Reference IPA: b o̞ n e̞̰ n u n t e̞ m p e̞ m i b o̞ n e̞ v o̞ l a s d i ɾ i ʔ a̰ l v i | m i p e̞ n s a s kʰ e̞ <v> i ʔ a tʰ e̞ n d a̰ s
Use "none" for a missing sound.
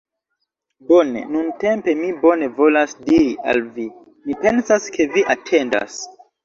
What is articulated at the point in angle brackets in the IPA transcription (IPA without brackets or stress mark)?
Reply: v